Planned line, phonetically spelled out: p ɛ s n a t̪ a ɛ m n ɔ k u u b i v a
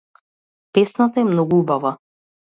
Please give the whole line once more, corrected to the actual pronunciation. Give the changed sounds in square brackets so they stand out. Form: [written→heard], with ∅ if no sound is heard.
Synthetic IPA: p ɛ s n a t̪ a ɛ m n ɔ [k→ɡ] u u b [i→a] v a